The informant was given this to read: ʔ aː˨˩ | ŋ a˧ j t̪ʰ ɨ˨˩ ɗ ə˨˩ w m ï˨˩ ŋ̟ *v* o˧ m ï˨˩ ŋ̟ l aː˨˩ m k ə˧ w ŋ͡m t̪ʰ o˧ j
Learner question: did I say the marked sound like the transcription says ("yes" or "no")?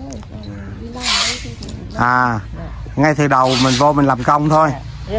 yes